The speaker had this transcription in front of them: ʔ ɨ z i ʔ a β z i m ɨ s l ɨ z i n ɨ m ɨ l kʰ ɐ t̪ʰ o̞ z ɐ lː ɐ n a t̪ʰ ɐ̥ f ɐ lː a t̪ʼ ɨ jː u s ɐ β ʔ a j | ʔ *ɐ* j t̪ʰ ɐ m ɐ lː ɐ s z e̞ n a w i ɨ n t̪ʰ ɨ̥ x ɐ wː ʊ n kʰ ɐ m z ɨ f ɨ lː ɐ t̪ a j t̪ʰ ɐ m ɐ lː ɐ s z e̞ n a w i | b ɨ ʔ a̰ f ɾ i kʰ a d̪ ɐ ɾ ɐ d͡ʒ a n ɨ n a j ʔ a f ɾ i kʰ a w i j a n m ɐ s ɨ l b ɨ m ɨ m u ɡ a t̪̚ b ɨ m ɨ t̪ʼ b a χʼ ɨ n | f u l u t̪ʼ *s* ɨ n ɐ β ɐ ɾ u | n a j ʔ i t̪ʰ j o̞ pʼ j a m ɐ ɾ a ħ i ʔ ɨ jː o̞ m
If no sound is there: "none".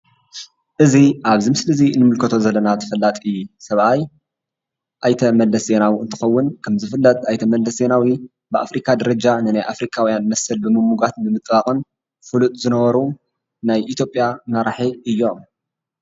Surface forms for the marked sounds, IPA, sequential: a, z

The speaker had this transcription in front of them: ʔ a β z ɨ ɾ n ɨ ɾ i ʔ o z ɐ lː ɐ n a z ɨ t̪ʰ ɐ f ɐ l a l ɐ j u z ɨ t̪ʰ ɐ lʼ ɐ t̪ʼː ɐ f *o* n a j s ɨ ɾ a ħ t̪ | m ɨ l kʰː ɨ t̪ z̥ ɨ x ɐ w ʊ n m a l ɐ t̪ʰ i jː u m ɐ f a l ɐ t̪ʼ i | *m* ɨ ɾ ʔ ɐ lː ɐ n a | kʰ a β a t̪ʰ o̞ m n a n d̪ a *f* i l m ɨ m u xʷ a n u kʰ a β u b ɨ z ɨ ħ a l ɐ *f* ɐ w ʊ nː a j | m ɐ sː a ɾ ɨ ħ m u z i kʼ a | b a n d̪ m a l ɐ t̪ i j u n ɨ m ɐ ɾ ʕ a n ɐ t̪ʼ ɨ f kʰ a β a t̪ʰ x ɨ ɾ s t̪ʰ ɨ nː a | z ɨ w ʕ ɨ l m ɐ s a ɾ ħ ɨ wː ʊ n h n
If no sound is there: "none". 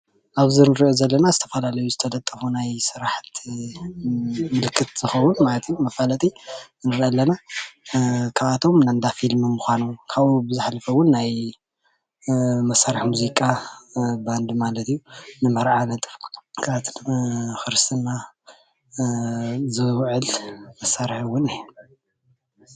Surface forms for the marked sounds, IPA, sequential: u, n, f, f

